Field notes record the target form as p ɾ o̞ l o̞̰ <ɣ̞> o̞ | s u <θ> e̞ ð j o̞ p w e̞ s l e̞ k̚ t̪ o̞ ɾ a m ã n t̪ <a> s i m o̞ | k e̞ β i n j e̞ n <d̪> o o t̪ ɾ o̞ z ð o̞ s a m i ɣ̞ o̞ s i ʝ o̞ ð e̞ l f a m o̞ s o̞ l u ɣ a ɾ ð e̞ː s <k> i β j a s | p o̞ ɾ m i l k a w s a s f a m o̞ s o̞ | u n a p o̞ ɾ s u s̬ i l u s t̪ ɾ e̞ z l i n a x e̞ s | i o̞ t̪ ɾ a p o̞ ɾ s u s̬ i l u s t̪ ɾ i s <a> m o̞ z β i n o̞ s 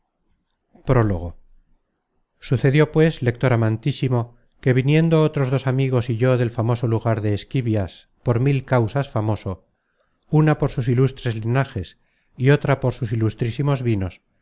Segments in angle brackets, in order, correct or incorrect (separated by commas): correct, correct, incorrect, correct, correct, incorrect